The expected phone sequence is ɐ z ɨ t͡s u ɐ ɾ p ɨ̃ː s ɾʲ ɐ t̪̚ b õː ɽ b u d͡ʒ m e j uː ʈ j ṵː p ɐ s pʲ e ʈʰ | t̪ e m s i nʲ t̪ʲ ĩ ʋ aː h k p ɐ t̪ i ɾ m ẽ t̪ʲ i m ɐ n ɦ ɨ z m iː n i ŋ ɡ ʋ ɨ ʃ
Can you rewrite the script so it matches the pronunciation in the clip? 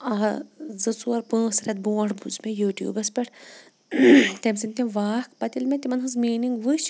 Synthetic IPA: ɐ z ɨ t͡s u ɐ ɾ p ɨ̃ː s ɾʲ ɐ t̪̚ b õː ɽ b u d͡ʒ m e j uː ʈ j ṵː b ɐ s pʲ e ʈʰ | t̪ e m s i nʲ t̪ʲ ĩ ʋ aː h k p ɐ t̪ i l m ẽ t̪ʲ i m ɐ n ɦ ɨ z m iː n i ŋ ɡ ʋ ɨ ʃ